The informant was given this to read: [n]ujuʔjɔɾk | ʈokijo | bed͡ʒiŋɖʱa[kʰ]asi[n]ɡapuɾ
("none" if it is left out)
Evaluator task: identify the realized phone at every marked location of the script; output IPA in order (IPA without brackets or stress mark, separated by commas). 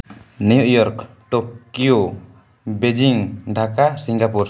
n, k, ŋ